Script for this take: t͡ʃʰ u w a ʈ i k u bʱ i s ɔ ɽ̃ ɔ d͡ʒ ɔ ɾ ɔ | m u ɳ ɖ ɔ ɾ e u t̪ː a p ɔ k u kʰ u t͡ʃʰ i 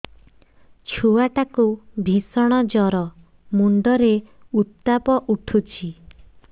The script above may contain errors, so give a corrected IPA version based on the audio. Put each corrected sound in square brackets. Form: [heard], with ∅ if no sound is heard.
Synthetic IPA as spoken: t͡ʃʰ u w a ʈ [a] k u bʱ i s ɔ ɽ̃ ɔ d͡ʒ ɔ ɾ ɔ | m u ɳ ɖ ɔ ɾ e u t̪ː a p ɔ [ʔ] u [ʈʰ] u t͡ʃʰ i